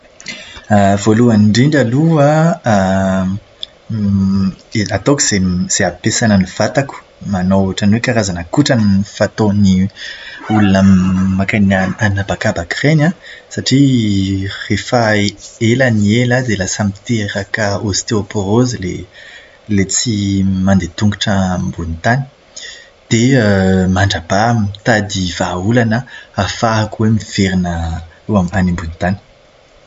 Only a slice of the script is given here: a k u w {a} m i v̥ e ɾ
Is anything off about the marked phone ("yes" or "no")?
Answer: yes